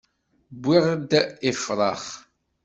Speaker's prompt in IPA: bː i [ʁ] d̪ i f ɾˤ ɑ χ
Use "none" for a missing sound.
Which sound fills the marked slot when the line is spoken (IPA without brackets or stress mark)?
ʁ